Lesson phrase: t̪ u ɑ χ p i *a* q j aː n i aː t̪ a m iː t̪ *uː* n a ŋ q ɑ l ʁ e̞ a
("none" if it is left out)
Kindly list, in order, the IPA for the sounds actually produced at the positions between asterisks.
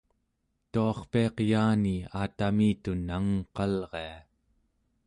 ɑ, u

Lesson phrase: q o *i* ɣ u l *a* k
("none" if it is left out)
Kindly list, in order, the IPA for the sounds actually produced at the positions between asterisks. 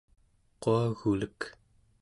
a, ə

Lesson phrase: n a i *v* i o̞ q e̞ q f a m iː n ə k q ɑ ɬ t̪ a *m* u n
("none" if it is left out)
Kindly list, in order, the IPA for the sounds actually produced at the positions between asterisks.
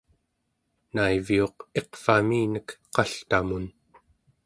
v, m

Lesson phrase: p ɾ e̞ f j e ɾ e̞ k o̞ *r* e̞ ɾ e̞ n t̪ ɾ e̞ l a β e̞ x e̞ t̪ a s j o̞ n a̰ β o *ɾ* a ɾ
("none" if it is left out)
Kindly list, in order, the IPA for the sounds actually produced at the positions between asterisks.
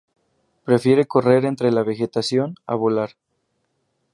r, l

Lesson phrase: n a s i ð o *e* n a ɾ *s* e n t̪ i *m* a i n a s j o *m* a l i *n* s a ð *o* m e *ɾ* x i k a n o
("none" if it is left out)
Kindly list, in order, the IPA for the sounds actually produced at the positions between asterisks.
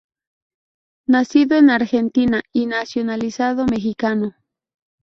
e, x, n, n, none, o, none

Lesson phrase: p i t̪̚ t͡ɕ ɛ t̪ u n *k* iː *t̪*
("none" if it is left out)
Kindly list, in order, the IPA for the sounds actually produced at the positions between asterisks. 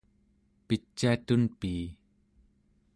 p, none

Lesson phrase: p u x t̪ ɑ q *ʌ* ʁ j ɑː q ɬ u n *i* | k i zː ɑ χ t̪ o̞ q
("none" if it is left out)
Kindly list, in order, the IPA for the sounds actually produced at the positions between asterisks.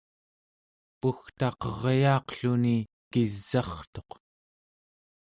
ʌ, i

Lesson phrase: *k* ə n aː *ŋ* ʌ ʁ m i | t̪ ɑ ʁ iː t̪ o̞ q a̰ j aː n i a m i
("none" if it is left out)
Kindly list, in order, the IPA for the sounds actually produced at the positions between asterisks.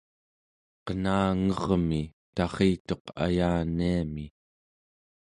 q, ŋ

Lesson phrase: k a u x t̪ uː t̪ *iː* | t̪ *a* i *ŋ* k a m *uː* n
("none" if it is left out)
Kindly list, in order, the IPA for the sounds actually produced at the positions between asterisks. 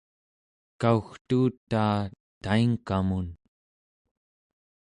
aː, a, ŋ, u

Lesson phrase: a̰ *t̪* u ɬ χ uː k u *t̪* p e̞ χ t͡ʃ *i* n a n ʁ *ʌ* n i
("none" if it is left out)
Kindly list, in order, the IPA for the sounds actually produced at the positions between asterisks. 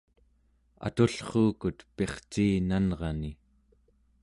t̪, t̪, iː, ɑ

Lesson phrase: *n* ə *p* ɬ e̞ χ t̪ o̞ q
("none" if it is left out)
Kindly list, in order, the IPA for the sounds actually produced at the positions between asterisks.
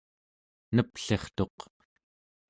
n, p

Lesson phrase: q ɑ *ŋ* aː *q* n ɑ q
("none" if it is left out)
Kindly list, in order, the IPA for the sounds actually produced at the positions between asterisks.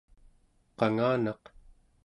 ŋ, none

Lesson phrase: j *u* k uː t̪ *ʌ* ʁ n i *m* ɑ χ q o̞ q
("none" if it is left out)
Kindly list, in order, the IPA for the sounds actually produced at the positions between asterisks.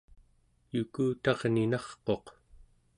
u, ɑ, n

